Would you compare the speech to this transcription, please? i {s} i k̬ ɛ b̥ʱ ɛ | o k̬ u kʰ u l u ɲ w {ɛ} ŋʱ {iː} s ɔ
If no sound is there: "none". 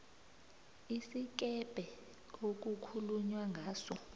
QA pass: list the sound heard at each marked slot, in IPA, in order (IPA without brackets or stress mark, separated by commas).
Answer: s, a, aː